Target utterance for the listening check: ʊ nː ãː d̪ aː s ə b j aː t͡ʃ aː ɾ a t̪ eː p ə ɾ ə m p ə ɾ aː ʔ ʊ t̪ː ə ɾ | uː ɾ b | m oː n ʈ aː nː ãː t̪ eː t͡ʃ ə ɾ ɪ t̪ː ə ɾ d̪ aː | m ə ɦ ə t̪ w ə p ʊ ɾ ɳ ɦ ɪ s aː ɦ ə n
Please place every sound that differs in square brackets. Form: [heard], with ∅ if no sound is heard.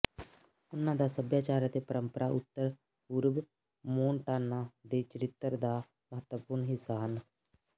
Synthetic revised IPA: ʊ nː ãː d̪ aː s ə b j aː t͡ʃ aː ɾ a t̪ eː p ə ɾ ə m p ə ɾ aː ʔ ʊ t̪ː ə ɾ | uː ɾ b | m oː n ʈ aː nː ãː [d̪] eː t͡ʃ ə ɾ ɪ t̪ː ə ɾ d̪ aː | m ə ɦ ə t̪ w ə p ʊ ɾ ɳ ɦ ɪ s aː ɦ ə n